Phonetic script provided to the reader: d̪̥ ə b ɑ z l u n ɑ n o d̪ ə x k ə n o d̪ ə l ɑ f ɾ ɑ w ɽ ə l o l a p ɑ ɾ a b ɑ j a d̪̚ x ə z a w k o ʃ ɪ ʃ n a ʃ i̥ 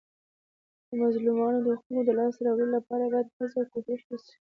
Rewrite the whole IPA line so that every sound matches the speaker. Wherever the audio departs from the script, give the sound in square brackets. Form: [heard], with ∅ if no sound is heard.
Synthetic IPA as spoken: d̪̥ ə [m] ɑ z l u [m] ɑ n o d̪ ə x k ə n o d̪ ə l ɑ [s] ɾ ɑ w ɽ ə l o l a p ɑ ɾ a b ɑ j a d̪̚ x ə z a w k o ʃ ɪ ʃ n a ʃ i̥